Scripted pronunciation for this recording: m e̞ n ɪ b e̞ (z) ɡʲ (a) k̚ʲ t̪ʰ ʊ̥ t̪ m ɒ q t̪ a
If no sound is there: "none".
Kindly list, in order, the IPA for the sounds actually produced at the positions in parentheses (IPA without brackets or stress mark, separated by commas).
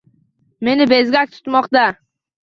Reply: z, a